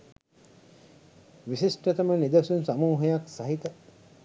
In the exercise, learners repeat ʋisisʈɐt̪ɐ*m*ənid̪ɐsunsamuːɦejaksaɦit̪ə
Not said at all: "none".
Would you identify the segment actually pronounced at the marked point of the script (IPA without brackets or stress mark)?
m